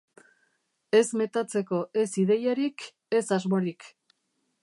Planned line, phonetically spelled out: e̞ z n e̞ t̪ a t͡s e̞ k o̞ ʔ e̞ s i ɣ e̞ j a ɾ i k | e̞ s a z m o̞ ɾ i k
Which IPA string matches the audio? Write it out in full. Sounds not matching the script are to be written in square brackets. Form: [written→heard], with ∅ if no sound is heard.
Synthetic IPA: e̞ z [n→m] e̞ t̪ a t͡s e̞ k o̞ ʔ e̞ s i [ɣ→ð] e̞ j a ɾ i k | e̞ s a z m o̞ ɾ i k